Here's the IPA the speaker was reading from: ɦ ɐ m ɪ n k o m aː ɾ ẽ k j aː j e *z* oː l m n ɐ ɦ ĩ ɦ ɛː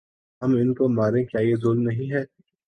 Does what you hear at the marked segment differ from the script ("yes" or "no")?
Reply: no